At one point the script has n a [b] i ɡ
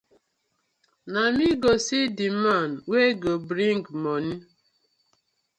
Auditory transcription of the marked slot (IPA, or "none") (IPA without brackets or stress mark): m